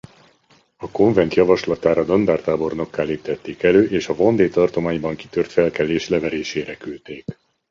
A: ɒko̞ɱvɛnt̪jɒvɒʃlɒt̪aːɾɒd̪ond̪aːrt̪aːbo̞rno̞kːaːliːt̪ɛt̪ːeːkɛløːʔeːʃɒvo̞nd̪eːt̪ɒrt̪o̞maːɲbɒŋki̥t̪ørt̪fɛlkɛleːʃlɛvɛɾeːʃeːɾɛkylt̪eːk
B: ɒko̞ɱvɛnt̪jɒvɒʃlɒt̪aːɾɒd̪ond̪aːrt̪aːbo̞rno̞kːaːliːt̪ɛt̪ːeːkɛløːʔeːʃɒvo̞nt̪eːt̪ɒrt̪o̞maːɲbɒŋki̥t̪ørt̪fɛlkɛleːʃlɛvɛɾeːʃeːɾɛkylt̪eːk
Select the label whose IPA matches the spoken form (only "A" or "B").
A